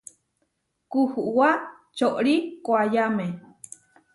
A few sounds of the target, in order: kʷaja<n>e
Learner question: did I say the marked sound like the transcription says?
no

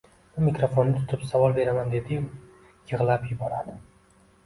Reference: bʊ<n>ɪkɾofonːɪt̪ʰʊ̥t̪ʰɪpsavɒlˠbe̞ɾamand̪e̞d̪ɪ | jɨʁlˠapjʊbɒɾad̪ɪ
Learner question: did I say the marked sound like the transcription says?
no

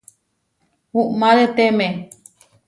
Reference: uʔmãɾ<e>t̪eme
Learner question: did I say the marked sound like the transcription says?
yes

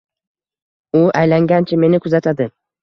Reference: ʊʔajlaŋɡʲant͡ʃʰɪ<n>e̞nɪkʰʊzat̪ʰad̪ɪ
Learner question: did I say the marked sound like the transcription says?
no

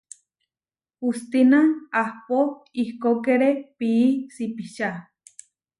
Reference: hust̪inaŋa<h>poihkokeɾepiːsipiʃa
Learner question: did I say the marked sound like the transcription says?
yes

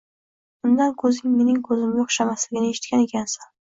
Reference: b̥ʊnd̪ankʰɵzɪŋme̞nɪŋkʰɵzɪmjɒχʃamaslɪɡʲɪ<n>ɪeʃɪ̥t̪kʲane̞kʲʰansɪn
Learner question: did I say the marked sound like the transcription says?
yes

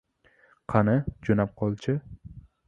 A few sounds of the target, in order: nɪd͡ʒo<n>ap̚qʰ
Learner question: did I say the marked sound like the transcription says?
yes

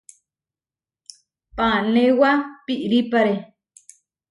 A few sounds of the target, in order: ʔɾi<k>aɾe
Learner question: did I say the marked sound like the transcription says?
no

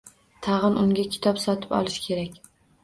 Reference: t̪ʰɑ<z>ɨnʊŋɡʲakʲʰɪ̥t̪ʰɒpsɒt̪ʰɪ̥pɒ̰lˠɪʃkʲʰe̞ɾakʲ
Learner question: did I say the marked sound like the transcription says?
no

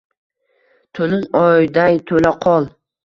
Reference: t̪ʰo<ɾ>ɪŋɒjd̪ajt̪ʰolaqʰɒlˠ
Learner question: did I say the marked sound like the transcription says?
no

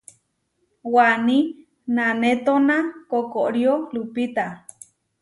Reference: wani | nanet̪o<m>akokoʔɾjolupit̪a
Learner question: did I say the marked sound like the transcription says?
no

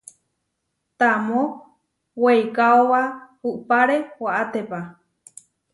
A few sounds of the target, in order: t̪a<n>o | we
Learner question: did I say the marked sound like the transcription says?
no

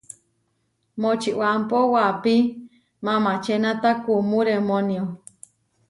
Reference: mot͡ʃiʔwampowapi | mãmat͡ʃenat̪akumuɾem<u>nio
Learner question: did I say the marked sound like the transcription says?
no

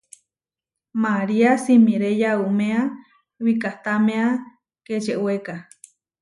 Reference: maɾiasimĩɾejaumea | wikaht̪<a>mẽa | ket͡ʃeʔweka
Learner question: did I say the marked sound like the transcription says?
yes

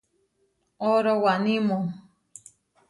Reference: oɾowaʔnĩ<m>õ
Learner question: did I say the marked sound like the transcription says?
yes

